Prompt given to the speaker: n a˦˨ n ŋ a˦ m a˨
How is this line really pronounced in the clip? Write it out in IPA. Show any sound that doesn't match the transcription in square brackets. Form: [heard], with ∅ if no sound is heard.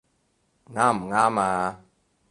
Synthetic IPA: [ŋ] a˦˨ [m] ŋ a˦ m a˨